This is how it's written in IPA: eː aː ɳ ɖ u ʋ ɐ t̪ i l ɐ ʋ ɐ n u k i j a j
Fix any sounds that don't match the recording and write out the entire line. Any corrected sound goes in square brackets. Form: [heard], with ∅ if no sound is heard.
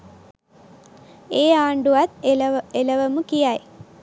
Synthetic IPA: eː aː ɳ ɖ u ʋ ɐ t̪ [e] l ɐ ʋ ɐ [m] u k i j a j